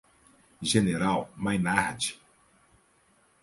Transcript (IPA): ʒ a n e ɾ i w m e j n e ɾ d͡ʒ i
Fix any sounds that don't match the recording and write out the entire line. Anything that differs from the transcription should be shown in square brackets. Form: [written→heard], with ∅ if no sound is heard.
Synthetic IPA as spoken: ʒ [a→e] n e ɾ [i→a] w m [e→a] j n [e→a] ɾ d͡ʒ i